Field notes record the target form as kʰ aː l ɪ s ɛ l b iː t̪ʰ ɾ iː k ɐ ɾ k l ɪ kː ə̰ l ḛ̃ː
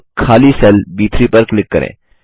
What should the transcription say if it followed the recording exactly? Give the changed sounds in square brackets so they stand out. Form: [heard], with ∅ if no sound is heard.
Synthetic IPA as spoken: kʰ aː l [i] s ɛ l b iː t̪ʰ ɾ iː [p] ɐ ɾ k l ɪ kː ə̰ [ɾ] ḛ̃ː